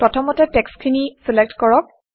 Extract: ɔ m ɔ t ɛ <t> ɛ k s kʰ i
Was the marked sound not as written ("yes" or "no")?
no